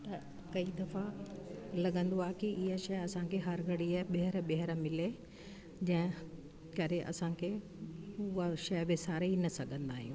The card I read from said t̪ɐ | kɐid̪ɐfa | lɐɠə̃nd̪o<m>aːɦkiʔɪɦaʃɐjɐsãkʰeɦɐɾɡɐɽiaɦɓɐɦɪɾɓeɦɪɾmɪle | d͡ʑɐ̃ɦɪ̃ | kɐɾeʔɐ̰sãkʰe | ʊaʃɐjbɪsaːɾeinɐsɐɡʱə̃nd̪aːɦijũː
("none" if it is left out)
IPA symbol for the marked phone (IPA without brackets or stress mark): none